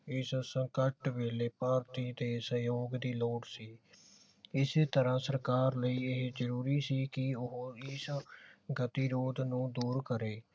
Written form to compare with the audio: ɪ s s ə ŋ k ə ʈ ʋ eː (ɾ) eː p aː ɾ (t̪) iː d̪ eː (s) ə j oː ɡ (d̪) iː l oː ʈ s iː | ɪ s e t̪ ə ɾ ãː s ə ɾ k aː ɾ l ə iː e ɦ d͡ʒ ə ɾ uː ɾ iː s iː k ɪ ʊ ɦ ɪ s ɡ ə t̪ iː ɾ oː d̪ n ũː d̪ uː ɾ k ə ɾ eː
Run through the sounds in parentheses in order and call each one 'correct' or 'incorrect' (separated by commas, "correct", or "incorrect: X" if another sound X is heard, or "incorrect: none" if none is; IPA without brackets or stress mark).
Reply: incorrect: l, correct, correct, correct